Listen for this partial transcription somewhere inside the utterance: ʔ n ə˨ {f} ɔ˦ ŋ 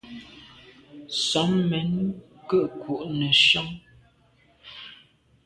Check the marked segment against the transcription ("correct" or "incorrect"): incorrect